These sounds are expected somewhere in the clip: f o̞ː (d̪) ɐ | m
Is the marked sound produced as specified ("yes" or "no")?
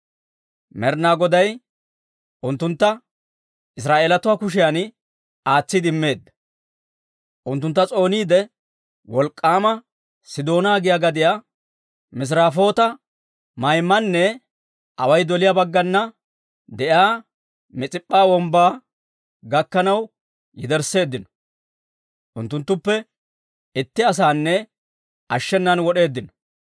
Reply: no